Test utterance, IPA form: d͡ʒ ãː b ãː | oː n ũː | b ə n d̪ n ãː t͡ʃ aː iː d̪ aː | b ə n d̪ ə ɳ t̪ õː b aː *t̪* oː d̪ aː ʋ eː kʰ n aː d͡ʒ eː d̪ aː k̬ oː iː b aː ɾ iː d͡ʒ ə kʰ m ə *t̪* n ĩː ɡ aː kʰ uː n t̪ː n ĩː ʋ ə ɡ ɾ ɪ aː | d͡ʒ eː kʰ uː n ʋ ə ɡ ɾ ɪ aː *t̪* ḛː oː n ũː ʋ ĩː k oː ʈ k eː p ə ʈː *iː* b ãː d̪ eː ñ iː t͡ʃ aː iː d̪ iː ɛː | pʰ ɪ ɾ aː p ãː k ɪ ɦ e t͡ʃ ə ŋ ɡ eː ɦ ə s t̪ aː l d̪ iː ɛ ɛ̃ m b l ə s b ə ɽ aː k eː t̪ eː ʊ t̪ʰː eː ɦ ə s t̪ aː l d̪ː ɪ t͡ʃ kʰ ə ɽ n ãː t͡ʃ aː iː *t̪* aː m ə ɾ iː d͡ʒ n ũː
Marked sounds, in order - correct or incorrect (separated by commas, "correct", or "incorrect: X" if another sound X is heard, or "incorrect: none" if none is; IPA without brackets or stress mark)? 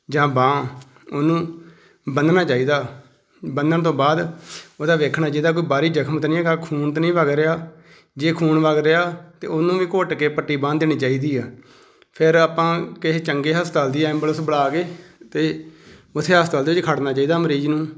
incorrect: d̪, correct, correct, correct, incorrect: d̪